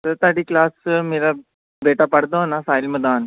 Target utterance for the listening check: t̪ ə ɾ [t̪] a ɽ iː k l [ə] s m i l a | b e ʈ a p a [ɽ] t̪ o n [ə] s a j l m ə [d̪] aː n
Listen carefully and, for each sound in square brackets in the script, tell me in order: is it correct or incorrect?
correct, incorrect, correct, incorrect, correct

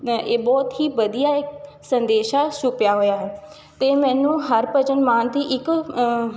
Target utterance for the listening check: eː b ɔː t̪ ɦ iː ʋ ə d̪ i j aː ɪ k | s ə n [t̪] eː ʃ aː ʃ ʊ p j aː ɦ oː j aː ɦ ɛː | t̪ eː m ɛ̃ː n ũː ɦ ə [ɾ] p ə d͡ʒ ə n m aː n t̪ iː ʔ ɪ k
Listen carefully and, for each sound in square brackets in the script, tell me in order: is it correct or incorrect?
incorrect, correct

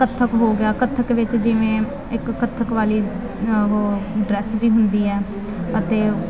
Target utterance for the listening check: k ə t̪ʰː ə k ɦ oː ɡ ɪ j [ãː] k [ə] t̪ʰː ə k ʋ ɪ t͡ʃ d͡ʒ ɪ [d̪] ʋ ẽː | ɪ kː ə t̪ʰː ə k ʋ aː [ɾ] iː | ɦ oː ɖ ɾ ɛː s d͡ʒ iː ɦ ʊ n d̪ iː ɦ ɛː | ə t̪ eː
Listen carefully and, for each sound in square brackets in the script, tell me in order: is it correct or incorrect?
incorrect, correct, incorrect, incorrect

